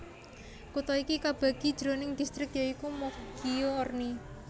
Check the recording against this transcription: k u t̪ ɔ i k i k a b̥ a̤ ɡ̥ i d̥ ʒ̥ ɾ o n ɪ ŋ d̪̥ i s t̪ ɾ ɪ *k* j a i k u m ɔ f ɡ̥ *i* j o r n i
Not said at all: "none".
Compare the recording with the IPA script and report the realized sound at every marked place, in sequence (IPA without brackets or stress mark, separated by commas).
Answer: k, i